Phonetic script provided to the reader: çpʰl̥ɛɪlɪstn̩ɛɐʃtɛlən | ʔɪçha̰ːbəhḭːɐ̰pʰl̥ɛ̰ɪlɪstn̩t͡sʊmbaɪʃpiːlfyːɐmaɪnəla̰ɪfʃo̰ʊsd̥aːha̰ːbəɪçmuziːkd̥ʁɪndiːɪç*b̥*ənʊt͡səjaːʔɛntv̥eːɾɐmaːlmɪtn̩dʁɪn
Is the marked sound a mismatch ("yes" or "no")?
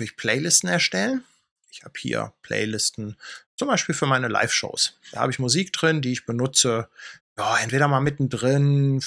no